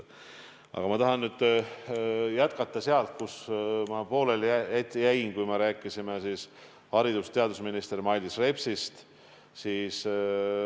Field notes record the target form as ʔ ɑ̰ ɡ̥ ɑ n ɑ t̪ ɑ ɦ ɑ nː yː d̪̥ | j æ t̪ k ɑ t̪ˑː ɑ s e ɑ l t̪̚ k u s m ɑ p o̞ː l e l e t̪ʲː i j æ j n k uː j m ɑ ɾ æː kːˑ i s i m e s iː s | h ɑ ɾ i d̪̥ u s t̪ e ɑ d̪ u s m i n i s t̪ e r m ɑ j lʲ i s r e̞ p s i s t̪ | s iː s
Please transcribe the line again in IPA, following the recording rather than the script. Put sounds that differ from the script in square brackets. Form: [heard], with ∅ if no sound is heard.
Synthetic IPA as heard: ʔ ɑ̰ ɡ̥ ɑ [m] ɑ t̪ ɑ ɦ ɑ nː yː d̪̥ | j æ t̪ k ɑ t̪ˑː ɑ s e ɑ l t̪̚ k u s m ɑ p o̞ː l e l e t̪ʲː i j æ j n k [u] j m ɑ ɾ æː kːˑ i s i m e s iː s | h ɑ ɾ i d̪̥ u s t̪ e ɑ d̪ u s m i n i s t̪ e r m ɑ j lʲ i s r e̞ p s i s t̪ | s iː s